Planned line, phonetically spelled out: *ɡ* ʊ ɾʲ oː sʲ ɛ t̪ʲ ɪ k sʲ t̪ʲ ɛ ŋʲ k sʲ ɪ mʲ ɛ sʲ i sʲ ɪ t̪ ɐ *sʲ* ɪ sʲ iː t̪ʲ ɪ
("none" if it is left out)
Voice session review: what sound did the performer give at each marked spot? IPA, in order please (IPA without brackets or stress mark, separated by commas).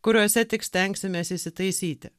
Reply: k, none